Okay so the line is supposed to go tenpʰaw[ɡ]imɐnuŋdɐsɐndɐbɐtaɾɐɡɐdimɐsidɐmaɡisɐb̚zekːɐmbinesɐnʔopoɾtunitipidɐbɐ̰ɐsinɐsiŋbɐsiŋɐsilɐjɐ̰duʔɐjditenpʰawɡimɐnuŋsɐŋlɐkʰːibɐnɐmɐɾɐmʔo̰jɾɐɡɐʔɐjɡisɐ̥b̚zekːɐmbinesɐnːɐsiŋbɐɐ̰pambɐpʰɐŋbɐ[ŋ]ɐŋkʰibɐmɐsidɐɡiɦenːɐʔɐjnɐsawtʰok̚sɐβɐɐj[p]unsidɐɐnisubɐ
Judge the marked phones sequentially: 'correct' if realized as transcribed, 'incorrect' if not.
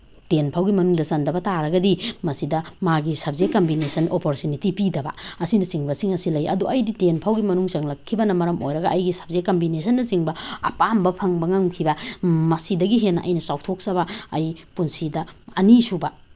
correct, correct, correct

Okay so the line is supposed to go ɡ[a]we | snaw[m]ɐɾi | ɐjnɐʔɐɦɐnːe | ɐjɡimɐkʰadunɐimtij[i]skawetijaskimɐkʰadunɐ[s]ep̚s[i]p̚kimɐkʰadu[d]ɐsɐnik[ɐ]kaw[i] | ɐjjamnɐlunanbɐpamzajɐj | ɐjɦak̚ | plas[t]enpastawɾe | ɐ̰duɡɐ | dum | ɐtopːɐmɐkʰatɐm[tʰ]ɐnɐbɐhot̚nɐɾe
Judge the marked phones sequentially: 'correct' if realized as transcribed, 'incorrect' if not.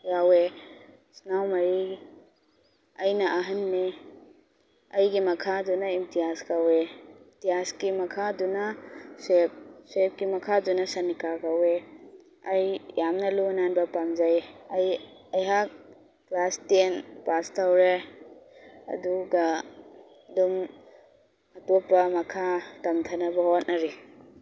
correct, correct, incorrect: a, correct, incorrect: e, incorrect: n, incorrect: a, incorrect: e, correct, correct

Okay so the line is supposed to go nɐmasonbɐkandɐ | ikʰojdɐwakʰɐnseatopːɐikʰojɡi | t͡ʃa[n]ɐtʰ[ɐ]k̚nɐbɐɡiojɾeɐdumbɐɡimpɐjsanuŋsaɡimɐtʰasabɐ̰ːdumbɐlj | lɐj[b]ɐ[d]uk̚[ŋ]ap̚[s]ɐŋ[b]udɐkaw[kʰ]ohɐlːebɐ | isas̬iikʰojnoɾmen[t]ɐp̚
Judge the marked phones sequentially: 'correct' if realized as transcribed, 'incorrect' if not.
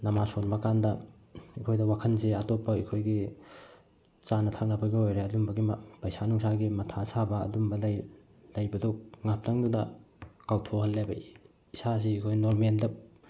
correct, incorrect: a, correct, correct, correct, incorrect: t, incorrect: d, incorrect: tʰ, incorrect: d

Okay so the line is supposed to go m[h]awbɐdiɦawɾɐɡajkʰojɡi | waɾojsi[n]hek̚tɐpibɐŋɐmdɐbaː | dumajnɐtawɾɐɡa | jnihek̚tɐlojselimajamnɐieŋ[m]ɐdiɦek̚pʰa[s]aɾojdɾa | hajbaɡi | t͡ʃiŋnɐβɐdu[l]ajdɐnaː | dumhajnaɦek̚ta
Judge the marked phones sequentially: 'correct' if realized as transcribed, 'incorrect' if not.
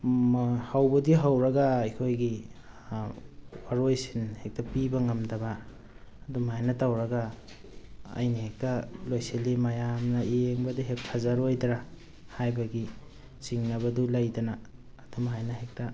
correct, correct, incorrect: b, incorrect: z, correct

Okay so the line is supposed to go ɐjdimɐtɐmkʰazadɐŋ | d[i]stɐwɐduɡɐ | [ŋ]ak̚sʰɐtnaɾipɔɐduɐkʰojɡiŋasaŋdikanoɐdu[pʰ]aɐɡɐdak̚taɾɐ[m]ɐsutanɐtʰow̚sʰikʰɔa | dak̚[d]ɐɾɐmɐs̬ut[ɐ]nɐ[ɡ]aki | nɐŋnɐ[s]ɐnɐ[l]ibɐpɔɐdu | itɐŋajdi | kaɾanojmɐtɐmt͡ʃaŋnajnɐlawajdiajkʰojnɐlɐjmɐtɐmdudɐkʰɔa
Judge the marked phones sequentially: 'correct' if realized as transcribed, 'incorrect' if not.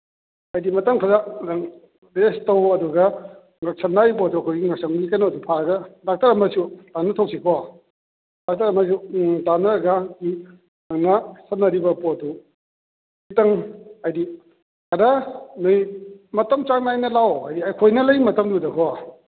incorrect: e, correct, correct, correct, incorrect: t, incorrect: a, correct, correct, incorrect: ɾ

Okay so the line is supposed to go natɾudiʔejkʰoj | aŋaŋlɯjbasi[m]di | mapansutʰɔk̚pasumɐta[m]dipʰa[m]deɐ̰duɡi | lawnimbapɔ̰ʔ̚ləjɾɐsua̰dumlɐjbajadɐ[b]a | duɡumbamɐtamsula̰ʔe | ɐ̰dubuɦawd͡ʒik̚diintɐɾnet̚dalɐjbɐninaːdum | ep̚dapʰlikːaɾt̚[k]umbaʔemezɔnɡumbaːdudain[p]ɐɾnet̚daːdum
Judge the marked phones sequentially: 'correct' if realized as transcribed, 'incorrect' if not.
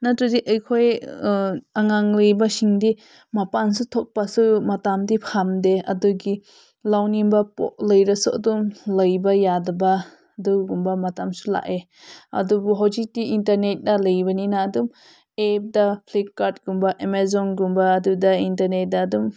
incorrect: ŋ, correct, correct, correct, incorrect: ɡ, incorrect: t

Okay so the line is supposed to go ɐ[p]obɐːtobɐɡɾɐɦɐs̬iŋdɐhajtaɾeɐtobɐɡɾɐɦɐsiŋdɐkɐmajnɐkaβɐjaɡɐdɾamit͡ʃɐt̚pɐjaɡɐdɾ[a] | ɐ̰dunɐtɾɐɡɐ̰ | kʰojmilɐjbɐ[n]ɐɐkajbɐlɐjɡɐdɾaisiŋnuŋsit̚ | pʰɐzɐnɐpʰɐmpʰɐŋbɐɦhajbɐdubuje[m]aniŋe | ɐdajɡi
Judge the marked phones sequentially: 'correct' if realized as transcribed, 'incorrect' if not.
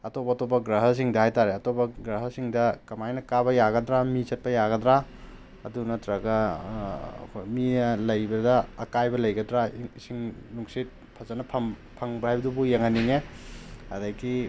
incorrect: t, correct, incorrect: d, incorrect: ŋ

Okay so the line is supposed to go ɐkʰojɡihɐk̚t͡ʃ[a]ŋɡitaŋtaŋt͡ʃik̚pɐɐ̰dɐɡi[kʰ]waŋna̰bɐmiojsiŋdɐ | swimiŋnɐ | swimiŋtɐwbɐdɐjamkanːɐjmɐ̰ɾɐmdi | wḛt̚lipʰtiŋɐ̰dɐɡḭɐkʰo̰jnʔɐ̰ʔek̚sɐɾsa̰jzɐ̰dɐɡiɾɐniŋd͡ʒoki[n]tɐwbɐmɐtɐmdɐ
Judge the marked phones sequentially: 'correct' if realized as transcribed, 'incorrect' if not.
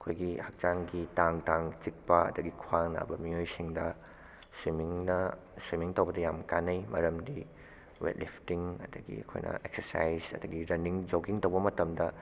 correct, correct, incorrect: ŋ

